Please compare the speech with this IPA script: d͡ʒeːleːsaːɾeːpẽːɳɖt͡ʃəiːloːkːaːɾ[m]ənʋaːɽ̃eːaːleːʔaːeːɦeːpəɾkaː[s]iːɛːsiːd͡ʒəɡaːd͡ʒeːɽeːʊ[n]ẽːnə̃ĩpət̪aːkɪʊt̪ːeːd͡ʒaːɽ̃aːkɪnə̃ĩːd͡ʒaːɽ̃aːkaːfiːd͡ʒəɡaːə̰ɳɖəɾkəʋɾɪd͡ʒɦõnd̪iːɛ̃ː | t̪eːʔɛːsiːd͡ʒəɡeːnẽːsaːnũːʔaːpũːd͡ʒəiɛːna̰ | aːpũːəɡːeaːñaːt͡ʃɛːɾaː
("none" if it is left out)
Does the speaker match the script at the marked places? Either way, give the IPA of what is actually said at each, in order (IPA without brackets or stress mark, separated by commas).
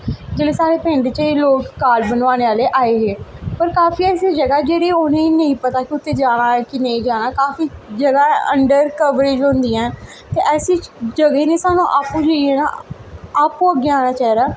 b, f, n